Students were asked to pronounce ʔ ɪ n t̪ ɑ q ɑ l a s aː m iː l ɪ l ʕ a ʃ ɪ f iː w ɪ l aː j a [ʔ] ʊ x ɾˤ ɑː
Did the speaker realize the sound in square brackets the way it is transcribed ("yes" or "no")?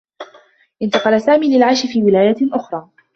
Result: yes